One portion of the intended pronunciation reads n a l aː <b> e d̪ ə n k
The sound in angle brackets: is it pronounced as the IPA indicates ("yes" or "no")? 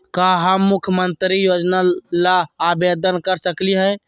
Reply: yes